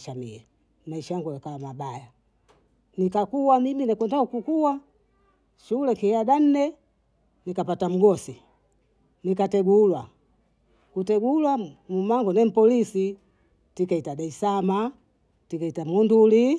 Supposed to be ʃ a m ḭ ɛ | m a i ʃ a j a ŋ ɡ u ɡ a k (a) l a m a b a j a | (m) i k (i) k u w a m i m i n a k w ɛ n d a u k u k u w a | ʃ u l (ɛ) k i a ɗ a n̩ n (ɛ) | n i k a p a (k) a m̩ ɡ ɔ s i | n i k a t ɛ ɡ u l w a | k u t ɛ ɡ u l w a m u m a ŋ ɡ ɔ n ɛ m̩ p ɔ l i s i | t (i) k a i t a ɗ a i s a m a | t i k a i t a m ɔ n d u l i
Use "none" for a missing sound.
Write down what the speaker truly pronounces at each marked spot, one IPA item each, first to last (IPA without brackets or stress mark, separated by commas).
a, n, a, ɛ, ɛ, t, i